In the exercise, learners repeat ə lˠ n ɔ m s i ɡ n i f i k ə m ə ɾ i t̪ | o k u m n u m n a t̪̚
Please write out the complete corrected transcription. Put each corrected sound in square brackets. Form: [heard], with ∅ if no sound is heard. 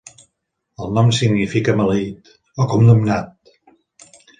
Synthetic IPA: ə lˠ n ɔ m s i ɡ n i f i k ə m ə [l] i t̪ | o k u m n u m n a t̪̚

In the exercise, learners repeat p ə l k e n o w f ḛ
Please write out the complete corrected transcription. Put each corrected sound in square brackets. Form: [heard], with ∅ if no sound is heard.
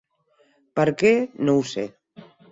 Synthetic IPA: p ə [ɾ] k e n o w [s] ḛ

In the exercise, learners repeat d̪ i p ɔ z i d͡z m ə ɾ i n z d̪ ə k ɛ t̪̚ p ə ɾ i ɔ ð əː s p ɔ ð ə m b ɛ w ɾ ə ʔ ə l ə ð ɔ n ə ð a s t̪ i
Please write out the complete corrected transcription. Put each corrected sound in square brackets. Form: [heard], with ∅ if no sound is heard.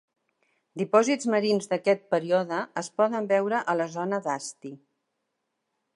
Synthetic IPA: d̪ i p ɔ z i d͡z m ə ɾ i n z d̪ ə k ɛ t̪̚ p ə ɾ i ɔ ð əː s p ɔ ð ə m b ɛ w ɾ ə ʔ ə l ə [z] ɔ n ə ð a s t̪ i

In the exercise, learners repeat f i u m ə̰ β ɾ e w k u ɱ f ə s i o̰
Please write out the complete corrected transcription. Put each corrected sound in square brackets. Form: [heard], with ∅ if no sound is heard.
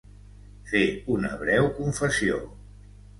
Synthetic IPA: f [e] u [n] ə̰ β ɾ [ɛ] w k u ɱ f ə s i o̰

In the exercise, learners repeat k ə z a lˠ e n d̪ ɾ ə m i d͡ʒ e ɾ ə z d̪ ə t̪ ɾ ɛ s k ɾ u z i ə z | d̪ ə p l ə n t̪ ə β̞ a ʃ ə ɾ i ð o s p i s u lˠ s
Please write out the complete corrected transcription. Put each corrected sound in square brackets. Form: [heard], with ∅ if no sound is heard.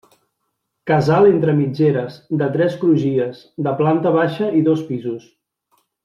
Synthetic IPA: k ə z a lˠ e n [t̪] ɾ ə m i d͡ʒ e ɾ ə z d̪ ə t̪ ɾ ɛ s k ɾ u [ʒ] i ə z | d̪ ə p l [a] n t̪ ə β̞ a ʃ ə [∅] i ð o s p i [z] u [∅] s

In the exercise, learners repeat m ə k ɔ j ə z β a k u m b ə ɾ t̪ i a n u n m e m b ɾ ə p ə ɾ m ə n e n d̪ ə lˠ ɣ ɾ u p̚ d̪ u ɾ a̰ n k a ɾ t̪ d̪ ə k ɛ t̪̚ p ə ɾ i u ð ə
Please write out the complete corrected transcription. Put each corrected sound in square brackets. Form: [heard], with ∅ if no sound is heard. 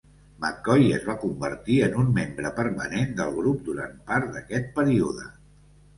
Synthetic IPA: m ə k ɔ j ə z β a k u m b ə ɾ t̪ i [ə] n u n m e m b ɾ ə p ə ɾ m ə n e n d̪ ə lˠ ɣ ɾ u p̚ d̪ u ɾ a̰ n [p] a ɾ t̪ d̪ ə k ɛ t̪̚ p ə ɾ i u ð ə

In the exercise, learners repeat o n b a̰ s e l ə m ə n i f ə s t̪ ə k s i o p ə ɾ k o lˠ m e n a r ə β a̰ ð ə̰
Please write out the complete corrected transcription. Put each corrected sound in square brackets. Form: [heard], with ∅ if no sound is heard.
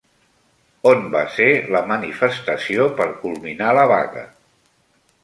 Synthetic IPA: o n b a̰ s e l ə m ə n i f ə s t̪ ə [∅] s i o p ə ɾ k [u] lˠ m [i] n a [l] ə β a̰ [ɣ] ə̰

